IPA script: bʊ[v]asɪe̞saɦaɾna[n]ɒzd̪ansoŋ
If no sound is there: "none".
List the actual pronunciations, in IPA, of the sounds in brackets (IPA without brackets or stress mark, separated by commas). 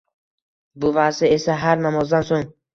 v, m